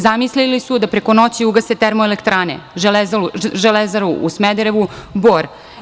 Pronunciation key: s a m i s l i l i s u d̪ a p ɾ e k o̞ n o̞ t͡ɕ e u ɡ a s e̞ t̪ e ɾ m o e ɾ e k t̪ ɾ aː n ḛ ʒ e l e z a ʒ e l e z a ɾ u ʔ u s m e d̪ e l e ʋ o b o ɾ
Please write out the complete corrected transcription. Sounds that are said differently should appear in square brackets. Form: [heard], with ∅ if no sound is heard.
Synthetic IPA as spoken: [z] a m i s l i l i s u d̪ a p ɾ e k o̞ n o̞ t͡ɕ [i] u ɡ a s e̞ t̪ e ɾ m o e [l] e k t̪ ɾ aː n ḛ ʒ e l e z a ʒ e l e z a ɾ u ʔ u s m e d̪ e [ɾ] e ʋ [u] b o ɾ

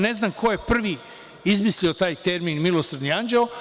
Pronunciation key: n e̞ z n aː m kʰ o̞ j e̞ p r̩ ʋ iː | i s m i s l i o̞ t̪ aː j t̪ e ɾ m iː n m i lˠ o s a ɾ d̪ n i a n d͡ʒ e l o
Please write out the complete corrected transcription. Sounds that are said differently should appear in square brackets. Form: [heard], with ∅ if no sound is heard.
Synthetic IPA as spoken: n e̞ z n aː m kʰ o̞ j e̞ p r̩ ʋ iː | i [z] m i s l i o̞ t̪ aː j t̪ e ɾ m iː n m i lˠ o s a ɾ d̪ n i a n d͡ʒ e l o

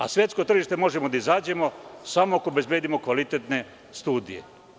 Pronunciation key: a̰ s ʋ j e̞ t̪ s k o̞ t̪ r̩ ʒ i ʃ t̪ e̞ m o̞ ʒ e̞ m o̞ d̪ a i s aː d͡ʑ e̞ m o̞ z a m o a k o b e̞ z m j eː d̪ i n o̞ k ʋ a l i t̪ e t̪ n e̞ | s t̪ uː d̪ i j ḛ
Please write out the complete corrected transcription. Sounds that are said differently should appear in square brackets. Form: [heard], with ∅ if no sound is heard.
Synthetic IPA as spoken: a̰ s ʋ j e̞ t̪ s k o̞ t̪ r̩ ʒ i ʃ t̪ e̞ m o̞ ʒ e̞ m o̞ d̪ a i [z] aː d͡ʑ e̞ m o̞ [s] a m o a k o b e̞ z [b] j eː d̪ i [m] o̞ k ʋ a l i t̪ e t̪ n e̞ | s t̪ uː d̪ i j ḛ

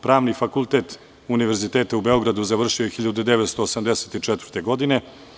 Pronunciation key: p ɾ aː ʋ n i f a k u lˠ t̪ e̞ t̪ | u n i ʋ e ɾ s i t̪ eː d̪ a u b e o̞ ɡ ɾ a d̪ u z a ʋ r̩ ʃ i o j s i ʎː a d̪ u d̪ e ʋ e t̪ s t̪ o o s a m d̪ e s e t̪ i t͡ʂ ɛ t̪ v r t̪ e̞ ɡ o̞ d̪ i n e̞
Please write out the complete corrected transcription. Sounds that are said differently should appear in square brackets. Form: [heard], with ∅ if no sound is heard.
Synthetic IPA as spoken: p ɾ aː ʋ n i f a k u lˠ t̪ e̞ t̪ | u n i ʋ e ɾ [z] i t̪ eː [t̪] a u b e o̞ ɡ ɾ a d̪ u z a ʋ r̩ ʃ i o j [x] i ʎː a d̪ u d̪ e ʋ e t̪ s t̪ o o s a m d̪ e s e t̪ i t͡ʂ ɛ t̪ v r t̪ e̞ ɡ o̞ d̪ i n e̞

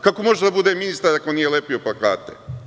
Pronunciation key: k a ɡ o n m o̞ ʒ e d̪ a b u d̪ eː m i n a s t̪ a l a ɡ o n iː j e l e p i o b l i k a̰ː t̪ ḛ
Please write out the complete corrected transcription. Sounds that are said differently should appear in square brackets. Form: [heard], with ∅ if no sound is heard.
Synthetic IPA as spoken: k a [k] o [∅] m o̞ ʒ e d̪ a b u d̪ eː m i n [i] s t̪ a [ɾ] a [k] o n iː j e l e p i o [p] l [a] k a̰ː t̪ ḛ

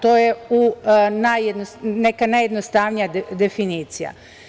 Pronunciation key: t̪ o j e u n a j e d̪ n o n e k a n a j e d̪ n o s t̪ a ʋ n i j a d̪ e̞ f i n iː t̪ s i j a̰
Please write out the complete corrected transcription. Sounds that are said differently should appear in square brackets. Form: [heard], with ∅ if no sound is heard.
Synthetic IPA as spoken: t̪ o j e u n a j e d̪ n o n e k a n a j e d̪ n o s t̪ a ʋ n i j a d̪ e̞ f i n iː t̪ s i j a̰

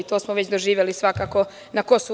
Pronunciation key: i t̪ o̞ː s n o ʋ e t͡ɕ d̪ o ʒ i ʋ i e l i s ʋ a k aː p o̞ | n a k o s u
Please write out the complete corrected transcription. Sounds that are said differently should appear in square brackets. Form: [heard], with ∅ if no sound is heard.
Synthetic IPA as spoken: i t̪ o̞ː s [m] o ʋ e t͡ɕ d̪ o ʒ [iː] ʋ [j] e l i s ʋ a k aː [k] o̞ | n a k o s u

